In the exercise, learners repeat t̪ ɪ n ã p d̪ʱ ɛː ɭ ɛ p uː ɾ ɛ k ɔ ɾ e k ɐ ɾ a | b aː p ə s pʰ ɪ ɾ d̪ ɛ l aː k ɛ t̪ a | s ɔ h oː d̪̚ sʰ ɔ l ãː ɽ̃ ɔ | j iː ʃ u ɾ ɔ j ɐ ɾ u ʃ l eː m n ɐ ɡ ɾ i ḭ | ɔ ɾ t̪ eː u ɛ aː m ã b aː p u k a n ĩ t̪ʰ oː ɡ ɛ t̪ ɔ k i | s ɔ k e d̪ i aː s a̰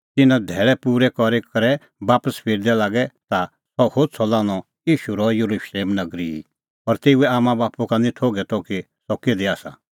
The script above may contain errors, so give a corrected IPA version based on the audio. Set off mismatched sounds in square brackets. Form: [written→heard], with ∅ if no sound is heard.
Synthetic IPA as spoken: t̪ ɪ n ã [p→∅] d̪ʱ ɛː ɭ ɛ p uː ɾ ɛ k ɔ ɾ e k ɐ ɾ [a→ɛ] | b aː p ə s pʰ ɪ ɾ d̪ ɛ l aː [k→ɡ] ɛ t̪ a | s ɔ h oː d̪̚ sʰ ɔ l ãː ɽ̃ ɔ | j iː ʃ u ɾ ɔ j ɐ ɾ u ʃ l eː m n ɐ ɡ ɾ i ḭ | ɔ ɾ t̪ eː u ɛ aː m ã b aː p u k a n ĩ t̪ʰ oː ɡ ɛ t̪ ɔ k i | s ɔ k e d̪ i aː s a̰

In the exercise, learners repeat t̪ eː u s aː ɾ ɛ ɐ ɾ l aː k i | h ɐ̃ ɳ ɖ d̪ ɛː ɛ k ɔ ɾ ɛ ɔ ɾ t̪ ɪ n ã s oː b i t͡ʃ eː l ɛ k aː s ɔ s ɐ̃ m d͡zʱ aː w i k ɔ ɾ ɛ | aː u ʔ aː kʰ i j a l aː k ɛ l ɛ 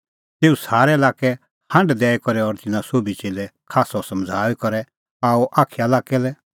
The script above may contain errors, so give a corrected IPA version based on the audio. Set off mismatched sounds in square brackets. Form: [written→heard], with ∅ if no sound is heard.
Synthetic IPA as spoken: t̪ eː u s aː ɾ ɛ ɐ [ɾ→∅] l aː k [i→ɛ] | h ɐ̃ ɳ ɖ d̪ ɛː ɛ k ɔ ɾ ɛ ɔ ɾ t̪ ɪ n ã s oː b i t͡ʃ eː l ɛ [k→kʰ] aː s ɔ s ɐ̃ m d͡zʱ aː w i k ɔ ɾ ɛ | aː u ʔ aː kʰ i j a l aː k ɛ l ɛ

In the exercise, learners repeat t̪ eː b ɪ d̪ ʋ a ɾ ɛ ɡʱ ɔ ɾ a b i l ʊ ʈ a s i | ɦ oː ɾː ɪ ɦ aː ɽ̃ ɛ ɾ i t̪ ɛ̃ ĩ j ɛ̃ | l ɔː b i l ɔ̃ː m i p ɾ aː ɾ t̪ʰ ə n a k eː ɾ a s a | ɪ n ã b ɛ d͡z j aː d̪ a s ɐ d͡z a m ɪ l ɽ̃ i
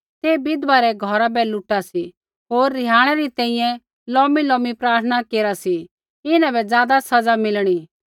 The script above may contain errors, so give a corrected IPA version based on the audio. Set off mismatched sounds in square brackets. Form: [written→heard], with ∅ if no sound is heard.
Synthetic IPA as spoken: t̪ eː b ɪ d̪ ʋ a ɾ ɛ ɡʱ ɔ ɾ a b [i→ɛ] l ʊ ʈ a s i | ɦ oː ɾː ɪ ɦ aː ɽ̃ ɛ ɾ i t̪ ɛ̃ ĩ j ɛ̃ | l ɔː [b→m] i l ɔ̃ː m i p ɾ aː ɾ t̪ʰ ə n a k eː ɾ a s [a→i] | ɪ n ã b ɛ d͡z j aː d̪ a s ɐ d͡z a m ɪ l ɽ̃ i

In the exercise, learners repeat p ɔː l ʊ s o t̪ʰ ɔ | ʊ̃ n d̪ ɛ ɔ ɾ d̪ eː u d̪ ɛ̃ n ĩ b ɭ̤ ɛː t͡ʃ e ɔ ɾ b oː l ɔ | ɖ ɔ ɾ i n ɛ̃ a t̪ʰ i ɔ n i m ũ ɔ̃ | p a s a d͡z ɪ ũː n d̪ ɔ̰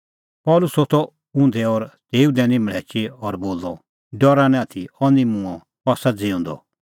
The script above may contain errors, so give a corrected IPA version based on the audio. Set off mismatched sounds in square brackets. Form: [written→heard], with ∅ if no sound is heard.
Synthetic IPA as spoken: p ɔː l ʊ s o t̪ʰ ɔ | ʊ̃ n d̪ ɛ ɔ ɾ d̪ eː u d̪ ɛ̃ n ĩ [b→m] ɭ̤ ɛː t͡ʃ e ɔ ɾ b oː l ɔ | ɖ ɔ ɾ [i→a] n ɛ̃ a t̪ʰ i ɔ n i m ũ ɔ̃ | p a s a d͡z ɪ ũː n d̪ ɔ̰

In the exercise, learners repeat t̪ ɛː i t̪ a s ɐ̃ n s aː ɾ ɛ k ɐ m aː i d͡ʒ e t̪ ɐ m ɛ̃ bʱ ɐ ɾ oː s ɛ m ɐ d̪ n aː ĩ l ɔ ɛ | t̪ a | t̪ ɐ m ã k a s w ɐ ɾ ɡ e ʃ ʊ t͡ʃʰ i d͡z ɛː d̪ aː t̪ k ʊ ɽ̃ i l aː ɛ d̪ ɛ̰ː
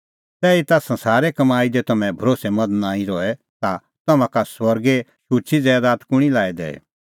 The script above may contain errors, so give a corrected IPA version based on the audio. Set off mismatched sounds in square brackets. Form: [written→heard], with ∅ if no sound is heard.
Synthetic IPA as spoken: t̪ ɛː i t̪ a s ɐ̃ n s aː ɾ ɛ k ɐ m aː i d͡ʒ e t̪ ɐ m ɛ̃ bʱ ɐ ɾ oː s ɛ m ɐ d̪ n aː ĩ [l→ɾ] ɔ ɛ | t̪ a | t̪ ɐ m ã k a s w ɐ ɾ ɡ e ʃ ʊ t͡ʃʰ i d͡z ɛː d̪ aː t̪ k ʊ ɽ̃ i l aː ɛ d̪ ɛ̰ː

